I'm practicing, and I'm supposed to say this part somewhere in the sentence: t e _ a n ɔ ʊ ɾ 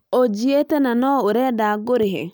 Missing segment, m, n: n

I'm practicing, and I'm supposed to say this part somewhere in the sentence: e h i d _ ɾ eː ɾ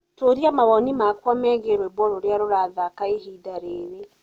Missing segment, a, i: a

